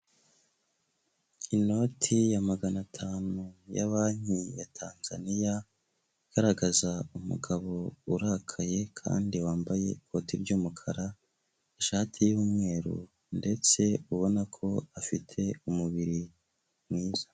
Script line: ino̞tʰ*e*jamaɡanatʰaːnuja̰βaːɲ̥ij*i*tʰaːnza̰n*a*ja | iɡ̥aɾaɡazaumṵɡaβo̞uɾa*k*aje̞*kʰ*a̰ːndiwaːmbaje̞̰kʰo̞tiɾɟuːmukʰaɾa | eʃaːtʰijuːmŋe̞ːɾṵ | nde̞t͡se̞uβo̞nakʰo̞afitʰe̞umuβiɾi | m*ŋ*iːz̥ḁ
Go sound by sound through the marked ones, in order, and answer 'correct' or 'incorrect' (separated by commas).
incorrect, incorrect, incorrect, incorrect, correct, correct